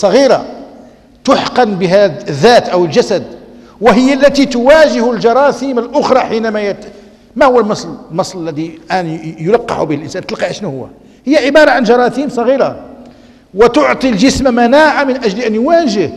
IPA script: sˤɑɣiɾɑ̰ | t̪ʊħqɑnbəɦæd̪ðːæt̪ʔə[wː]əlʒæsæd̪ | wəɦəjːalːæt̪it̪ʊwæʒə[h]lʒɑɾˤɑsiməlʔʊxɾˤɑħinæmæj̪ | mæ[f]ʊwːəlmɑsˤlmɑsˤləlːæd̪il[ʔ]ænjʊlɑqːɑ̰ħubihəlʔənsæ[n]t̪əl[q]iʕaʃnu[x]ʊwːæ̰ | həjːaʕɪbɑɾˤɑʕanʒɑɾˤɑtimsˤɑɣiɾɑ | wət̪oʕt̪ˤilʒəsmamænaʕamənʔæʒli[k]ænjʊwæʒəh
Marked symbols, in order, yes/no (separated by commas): no, yes, no, yes, yes, yes, no, no